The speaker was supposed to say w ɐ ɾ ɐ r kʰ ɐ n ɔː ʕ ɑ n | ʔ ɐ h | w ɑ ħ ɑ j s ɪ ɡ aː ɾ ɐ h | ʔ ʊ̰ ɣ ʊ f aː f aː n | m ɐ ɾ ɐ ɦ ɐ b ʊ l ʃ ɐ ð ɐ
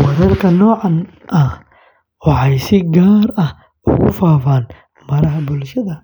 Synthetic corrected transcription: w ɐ ɾ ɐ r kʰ ɐ n ɔː ʕ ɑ n | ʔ ɐ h | w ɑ ħ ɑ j s ɪ ɡ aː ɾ ɐ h | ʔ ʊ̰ ɣ ʊ f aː f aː n | m ɐ ɾ ɐ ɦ ɐ b ʊ l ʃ ɐ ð ɐ